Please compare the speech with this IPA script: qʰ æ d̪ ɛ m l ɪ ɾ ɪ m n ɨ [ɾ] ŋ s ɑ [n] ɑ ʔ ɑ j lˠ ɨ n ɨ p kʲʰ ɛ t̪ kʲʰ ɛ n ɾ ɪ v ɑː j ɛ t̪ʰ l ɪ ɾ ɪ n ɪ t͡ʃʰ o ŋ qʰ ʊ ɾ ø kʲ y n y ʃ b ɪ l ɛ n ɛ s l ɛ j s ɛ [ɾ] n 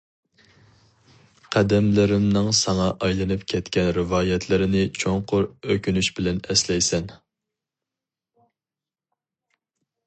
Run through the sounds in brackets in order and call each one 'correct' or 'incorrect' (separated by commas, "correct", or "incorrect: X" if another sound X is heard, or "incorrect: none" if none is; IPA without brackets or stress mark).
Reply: incorrect: none, incorrect: ŋ, incorrect: none